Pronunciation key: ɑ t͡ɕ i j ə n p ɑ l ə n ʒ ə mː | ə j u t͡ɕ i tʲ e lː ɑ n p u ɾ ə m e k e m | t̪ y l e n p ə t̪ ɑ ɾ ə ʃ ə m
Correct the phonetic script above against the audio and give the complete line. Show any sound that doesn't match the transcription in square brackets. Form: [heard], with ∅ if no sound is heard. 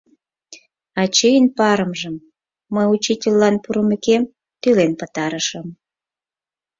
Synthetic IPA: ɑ t͡ɕ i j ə n p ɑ [ɾ] ə [m] ʒ ə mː | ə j u t͡ɕ i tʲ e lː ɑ n p u ɾ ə m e k e m | t̪ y l e n p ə t̪ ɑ ɾ ə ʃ ə m